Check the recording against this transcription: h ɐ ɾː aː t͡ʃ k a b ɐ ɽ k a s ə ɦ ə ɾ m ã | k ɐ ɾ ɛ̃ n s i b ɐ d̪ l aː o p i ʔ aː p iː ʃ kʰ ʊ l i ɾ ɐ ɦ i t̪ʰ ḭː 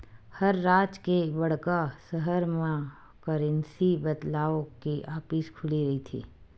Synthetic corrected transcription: h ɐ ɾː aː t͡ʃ k e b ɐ ɽ k a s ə ɦ ə ɾ m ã | k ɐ ɾ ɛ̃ n s i b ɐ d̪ l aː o k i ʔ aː p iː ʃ kʰ ʊ l i ɾ ɐ ɦ i t̪ʰ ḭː